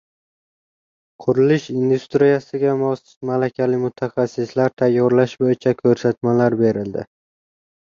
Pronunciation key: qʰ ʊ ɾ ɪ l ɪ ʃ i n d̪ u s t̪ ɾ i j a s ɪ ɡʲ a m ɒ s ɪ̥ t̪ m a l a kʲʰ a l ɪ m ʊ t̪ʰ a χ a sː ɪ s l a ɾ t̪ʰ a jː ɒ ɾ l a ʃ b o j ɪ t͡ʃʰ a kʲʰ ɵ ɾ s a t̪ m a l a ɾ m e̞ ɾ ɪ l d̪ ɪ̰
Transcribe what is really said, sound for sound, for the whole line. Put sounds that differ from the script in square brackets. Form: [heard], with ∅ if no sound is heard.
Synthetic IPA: qʰ ʊ ɾ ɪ l ɪ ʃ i n d̪ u s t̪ ɾ i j a s ɪ ɡʲ a m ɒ s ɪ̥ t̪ m a l a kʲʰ a l ɪ m ʊ t̪ʰ a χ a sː ɪ s l a ɾ t̪ʰ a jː ɒ ɾ l a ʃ b o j ɪ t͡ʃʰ a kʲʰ ɵ ɾ s a t̪ m a l a ɾ [b] e̞ ɾ ɪ l d̪ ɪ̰